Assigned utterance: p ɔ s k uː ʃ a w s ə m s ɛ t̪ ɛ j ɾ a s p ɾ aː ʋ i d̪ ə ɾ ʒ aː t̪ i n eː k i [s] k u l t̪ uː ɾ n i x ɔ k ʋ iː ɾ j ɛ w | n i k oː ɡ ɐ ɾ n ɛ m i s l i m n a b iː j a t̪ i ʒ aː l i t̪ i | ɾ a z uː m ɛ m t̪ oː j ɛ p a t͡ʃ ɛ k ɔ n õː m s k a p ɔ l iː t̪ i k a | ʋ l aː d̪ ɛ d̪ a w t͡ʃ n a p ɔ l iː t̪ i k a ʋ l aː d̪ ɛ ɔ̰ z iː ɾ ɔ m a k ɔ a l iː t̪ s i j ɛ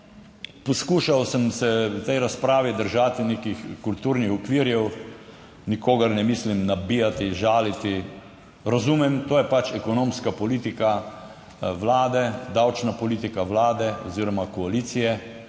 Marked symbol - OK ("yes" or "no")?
no